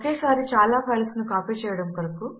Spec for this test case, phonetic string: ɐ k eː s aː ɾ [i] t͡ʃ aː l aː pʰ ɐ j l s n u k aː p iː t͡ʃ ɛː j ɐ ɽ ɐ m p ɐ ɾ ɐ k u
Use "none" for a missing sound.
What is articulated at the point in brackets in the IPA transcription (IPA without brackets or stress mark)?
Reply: i